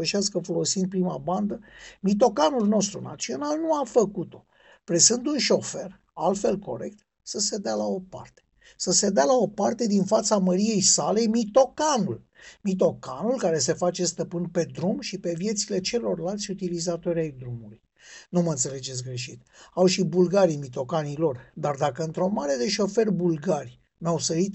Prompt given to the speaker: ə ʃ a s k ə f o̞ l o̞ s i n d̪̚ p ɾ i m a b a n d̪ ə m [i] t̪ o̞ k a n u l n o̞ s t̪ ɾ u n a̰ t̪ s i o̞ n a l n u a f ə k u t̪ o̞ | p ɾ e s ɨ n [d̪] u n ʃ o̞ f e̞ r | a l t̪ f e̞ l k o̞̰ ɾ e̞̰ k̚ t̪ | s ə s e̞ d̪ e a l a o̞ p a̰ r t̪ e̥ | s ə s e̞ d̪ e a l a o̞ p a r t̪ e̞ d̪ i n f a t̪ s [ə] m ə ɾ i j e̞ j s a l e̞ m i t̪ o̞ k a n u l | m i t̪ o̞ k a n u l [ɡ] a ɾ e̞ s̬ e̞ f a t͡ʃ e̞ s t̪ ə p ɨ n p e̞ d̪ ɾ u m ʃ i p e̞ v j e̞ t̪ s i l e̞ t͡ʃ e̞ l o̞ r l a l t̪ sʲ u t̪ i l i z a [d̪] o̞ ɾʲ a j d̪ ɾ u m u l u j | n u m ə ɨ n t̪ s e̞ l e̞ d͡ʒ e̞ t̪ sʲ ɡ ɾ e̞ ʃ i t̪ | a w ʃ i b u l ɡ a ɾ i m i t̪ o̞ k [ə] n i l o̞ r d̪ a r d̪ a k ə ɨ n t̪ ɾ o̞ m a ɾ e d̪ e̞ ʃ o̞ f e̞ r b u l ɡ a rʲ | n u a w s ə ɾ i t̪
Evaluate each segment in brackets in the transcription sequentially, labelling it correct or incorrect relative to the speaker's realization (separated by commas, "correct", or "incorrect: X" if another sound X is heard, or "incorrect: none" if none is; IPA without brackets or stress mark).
correct, correct, incorrect: a, incorrect: k, incorrect: t̪, incorrect: a